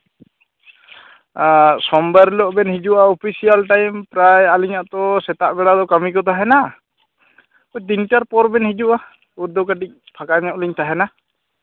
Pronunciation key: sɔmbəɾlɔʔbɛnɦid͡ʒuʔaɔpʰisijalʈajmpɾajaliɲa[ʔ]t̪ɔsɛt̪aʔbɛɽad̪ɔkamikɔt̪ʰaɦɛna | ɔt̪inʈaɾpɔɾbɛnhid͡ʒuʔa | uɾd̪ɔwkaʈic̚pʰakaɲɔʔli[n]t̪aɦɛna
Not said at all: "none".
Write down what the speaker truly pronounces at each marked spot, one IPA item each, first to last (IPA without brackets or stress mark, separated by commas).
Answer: ʔ, ɲ